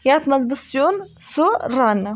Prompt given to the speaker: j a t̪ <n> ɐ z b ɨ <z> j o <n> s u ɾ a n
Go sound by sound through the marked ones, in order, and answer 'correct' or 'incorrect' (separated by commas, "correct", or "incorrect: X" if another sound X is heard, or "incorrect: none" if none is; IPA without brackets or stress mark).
incorrect: m, incorrect: s, correct